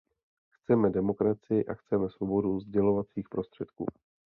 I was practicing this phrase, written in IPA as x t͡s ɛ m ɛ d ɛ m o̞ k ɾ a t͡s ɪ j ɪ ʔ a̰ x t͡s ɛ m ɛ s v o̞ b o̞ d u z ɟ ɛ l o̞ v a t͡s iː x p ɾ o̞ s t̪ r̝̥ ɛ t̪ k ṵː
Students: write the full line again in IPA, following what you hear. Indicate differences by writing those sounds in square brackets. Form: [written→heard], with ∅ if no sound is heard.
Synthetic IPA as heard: x t͡s ɛ m ɛ d ɛ m o̞ k ɾ a t͡s ɪ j ɪ ʔ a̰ x t͡s ɛ m ɛ s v o̞ b o̞ d u z ɟ ɛ l o̞ v a t͡s iː x p ɾ o̞ s t̪ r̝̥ ɛ t̪ k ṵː